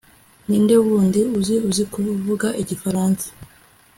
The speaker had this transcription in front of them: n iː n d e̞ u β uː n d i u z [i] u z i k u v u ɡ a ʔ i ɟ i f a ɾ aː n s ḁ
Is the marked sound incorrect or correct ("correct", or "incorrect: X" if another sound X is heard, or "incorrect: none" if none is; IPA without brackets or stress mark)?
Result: correct